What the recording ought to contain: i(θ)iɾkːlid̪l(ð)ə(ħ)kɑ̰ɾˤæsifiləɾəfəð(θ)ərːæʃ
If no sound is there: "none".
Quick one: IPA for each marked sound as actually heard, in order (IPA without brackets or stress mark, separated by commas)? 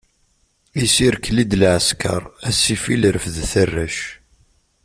s, ʕ, s, θ